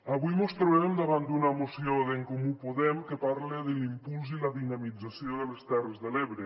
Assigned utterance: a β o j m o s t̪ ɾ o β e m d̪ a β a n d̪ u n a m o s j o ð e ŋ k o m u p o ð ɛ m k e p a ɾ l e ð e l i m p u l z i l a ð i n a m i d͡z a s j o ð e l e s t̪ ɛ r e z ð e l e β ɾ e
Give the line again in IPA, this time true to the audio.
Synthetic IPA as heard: a β u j m o s t̪ ɾ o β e m d̪ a β a n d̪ u n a m o s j o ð e ŋ k o m u p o ð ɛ m k e p a ɾ l e ð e l i m p u l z i l a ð i n a m i d͡z a s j o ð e l e s t̪ ɛ r e z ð e l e β ɾ e

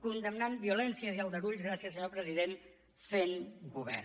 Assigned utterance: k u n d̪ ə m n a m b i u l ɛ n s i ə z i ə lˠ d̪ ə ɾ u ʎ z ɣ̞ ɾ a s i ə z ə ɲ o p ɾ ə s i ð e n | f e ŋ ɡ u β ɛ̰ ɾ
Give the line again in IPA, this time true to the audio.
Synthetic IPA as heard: k u n d̪ ə m n a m b i u l ɛ n s i ə z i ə lˠ d̪ ə ɾ u ʎ z ɣ̞ ɾ a s i ə s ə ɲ o p ɾ ə z i ð e n | f e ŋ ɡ u β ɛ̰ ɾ

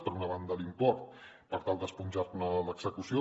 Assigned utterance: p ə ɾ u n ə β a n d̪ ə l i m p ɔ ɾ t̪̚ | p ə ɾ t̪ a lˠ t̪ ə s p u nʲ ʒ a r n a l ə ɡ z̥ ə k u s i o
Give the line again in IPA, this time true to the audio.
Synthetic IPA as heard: p ə ɾ u n ə β a n d̪ ə l i m p ɔ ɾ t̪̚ | p ə ɾ t̪ a lˠ d̪ ə s p u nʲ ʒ a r n ə l ə ɡ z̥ ə k u s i o

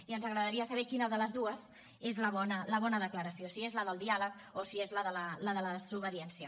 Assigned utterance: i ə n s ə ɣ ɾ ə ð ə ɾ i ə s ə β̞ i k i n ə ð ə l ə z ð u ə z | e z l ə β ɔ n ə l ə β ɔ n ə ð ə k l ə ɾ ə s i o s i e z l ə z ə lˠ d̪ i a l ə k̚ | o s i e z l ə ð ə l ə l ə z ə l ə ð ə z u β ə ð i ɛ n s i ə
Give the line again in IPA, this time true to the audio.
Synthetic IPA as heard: i ə n z ə ɣ ɾ ə ð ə ɾ i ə s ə β̞ ɛ k i n ə ð ə l ə z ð u ə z | e z l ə β ɔ n ə l ə β ɔ n ə ð ə k l ə ɾ ə s i o s i e z l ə ð ə lˠ d̪ i a l ə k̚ | o s i e z l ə ð ə l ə l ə ð ə l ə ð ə z u β ə ð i ɛ n s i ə

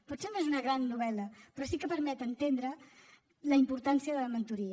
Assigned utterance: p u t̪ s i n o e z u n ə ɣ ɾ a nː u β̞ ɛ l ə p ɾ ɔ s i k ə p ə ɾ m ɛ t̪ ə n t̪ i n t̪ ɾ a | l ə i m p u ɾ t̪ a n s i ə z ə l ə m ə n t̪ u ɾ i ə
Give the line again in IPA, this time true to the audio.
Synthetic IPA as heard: p u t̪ s e n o e z u n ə ɣ ɾ a nː u β̞ ɛ l ə p ɾ ɔ s i k ə p ə ɾ m ɛ t̪ ə n t̪ e n d̪ ɾ ə | l ə i m p u ɾ t̪ a n s i ə ð ə l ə m ə n t̪ u ɾ i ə

